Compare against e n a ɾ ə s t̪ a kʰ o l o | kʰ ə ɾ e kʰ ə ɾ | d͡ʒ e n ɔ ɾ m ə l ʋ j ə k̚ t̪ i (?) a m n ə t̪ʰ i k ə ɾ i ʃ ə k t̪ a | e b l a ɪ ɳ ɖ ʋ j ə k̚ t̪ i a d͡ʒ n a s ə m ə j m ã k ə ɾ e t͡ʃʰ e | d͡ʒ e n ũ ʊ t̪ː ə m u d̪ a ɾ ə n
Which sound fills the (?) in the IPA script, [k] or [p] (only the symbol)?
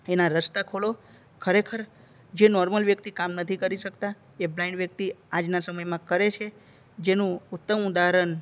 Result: k